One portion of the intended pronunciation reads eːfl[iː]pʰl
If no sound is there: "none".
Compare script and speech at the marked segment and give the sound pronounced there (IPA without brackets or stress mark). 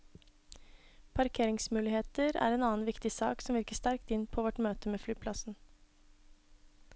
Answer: yː